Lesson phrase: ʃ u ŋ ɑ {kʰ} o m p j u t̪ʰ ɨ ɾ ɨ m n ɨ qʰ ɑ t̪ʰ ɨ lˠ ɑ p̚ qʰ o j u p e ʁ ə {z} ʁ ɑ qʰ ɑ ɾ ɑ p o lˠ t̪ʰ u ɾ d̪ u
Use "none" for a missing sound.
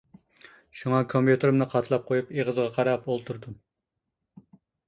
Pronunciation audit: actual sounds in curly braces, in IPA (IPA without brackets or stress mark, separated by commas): kʰ, z